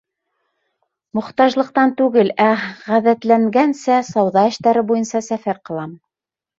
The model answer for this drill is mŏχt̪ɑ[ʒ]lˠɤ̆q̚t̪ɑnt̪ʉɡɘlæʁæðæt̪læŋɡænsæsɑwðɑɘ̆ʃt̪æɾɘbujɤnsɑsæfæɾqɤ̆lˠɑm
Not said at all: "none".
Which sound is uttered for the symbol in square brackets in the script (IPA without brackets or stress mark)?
ʒ